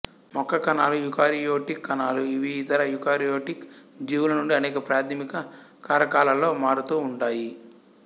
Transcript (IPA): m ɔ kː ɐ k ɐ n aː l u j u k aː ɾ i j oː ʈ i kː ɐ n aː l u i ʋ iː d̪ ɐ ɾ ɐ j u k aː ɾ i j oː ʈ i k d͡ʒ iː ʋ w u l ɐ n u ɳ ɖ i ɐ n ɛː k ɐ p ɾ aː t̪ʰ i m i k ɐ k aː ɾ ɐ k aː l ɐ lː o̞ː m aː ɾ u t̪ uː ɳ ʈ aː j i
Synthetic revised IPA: m ɔ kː ɐ k ɐ n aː l u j u k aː ɾ i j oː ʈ i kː ɐ n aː l u i ʋ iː t̪ ɐ ɾ ɐ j u k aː ɾ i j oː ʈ i k d͡ʒ iː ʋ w u l ɐ n u ɳ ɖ i ɐ n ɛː k ɐ p ɾ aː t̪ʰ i m i k ɐ k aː ɾ ɐ k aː l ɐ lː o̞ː m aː ɾ u t̪ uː ɳ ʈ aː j i